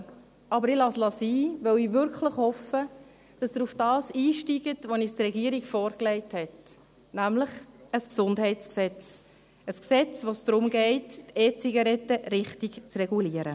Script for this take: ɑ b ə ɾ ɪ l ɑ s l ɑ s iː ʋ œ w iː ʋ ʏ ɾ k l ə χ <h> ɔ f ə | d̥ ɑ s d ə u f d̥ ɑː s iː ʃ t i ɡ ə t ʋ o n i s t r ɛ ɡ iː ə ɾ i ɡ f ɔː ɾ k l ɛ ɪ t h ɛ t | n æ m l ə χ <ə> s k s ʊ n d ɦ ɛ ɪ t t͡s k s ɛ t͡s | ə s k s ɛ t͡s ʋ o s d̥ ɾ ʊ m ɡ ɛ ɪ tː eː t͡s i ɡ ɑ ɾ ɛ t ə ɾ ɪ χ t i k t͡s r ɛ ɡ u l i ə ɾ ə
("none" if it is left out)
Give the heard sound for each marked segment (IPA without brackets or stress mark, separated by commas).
h, ə